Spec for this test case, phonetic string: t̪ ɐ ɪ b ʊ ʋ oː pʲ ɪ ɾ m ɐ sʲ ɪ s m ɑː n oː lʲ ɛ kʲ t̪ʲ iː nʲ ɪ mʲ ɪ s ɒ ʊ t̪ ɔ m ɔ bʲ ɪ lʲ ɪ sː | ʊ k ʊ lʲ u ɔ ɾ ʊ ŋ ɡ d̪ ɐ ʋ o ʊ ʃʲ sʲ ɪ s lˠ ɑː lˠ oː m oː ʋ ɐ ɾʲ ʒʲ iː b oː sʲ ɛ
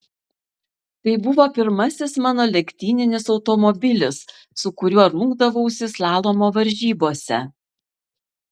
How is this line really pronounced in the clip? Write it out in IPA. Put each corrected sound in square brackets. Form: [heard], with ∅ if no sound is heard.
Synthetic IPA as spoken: t̪ ɐ ɪ b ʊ ʋ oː pʲ ɪ ɾ m ɐ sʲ ɪ s m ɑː n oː lʲ ɛ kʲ t̪ʲ iː nʲ ɪ [nʲ] ɪ s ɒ ʊ t̪ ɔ m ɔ bʲ ɪ lʲ ɪ sː | ʊ k ʊ [ɾʲ] u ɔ ɾ ʊ ŋ ɡ d̪ ɐ ʋ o ʊ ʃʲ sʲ ɪ s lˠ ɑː lˠ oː m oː ʋ ɐ ɾʲ ʒʲ iː b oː sʲ ɛ